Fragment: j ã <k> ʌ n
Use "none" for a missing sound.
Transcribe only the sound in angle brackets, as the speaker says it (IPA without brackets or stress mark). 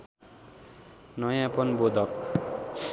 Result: p